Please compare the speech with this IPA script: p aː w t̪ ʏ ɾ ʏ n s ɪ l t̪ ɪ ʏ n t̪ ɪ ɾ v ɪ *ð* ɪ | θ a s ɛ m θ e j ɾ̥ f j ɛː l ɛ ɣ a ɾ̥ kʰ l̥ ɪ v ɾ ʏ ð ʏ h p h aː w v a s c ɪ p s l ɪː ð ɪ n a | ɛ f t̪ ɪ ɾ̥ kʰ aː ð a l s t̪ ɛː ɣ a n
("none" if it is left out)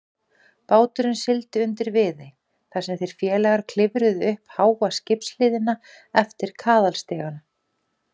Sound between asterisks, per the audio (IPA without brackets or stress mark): ð